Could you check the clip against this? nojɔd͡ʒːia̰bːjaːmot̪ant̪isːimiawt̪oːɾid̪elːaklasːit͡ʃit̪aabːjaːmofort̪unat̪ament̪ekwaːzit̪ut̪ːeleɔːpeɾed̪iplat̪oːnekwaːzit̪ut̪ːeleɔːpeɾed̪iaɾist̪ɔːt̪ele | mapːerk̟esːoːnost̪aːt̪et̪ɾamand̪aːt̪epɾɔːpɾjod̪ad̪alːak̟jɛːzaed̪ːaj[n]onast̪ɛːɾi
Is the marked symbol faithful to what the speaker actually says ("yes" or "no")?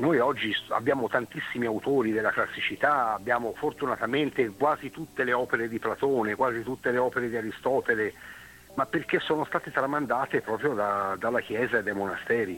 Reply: no